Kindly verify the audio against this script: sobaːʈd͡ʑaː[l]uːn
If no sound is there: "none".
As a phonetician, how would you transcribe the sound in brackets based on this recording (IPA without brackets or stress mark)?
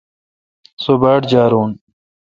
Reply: ɾ